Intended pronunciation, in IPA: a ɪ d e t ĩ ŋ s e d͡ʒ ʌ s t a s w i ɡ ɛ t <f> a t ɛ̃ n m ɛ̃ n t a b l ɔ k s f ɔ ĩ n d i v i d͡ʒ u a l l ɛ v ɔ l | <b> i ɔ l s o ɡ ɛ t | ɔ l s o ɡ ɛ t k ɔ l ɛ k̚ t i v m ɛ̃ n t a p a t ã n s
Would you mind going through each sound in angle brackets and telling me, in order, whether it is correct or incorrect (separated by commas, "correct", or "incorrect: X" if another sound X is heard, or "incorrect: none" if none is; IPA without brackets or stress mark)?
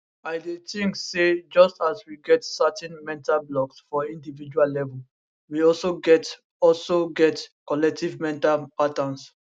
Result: incorrect: s, incorrect: w